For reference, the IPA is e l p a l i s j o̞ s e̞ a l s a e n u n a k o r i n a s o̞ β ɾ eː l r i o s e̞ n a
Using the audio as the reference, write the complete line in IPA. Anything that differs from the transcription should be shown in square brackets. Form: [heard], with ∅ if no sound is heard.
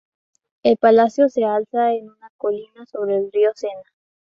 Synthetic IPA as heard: e l p a l [a] s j o̞ s e̞ a l s a e n u n a k o [l] i n a s o̞ β ɾ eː l r i o s e̞ n a